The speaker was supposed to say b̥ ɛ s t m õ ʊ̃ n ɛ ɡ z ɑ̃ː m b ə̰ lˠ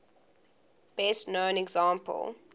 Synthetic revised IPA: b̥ ɛ s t n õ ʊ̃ n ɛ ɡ z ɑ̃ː m p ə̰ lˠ

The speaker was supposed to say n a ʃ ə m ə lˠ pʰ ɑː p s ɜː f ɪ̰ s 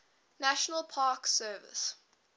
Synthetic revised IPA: n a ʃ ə n ə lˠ pʰ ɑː k s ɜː v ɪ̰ s

